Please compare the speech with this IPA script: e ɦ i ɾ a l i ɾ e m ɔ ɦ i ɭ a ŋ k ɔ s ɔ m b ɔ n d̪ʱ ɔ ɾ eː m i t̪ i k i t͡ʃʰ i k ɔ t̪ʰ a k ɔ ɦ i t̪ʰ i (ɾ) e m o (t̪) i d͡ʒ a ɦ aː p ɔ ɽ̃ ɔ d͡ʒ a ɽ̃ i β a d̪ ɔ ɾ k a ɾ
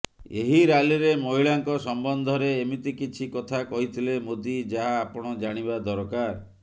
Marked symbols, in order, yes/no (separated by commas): no, no